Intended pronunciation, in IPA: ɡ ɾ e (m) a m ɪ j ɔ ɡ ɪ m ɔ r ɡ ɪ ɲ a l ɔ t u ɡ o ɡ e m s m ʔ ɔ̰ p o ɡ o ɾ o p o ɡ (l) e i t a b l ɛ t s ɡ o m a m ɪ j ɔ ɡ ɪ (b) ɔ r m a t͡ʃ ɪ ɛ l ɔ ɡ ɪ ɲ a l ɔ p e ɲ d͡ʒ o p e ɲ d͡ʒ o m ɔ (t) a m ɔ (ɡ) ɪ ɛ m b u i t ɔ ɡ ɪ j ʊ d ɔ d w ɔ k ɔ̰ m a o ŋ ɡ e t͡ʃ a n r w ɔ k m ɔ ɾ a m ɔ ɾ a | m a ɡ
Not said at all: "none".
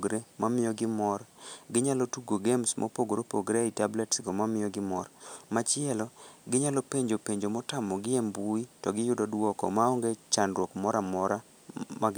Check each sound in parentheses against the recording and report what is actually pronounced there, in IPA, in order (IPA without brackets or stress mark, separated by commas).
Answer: m, ɾ, m, t, ɡ